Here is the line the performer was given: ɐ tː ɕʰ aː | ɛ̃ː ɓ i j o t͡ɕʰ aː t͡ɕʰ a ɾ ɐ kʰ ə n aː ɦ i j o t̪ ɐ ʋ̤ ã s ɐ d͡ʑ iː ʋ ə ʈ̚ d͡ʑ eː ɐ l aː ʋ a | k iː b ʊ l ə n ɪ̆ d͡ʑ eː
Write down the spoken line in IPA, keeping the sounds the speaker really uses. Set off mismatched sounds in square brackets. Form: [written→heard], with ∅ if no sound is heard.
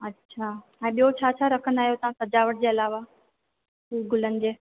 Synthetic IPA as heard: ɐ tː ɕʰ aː | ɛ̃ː ɓ i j o t͡ɕʰ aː t͡ɕʰ a ɾ ɐ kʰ ə n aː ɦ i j o t̪ ɐ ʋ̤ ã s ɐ d͡ʑ [iː→aː] ʋ ə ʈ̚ d͡ʑ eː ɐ l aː ʋ a | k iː [b→ɡ] ʊ l ə n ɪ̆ d͡ʑ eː